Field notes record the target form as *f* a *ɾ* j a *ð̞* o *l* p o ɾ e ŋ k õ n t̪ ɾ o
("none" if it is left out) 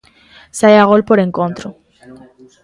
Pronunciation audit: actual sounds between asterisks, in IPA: s, none, ɣ̞, l

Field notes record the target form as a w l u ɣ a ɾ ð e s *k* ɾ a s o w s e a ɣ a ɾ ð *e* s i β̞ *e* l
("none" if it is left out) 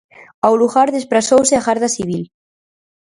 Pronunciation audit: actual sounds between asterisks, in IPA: p, a, i

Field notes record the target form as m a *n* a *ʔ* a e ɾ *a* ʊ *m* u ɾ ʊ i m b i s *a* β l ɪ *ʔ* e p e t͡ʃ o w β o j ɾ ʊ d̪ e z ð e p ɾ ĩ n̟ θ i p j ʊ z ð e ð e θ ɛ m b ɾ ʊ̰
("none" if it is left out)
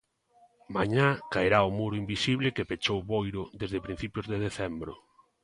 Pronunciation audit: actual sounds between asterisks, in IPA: ɲ, k, a, m, i, k

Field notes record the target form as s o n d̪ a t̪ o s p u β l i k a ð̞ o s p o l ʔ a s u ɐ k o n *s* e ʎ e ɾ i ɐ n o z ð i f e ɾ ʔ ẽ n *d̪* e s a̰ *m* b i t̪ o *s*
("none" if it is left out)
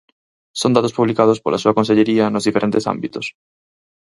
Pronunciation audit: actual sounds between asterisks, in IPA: s, t̪, m, s

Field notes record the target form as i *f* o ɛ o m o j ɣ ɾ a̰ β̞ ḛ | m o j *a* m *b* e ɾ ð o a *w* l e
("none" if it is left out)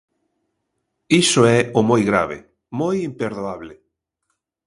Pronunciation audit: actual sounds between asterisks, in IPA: s, i, p, β

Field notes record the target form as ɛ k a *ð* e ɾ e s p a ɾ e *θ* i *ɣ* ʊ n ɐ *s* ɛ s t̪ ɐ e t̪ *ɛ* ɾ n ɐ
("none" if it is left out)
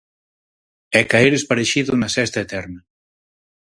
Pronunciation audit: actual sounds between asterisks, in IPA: none, ʃ, ð, s, ɛ

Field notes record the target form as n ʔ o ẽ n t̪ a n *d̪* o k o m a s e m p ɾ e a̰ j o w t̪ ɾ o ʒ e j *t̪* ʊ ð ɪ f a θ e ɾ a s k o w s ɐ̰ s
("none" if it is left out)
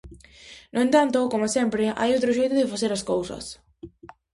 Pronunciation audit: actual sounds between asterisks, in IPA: t̪, t̪

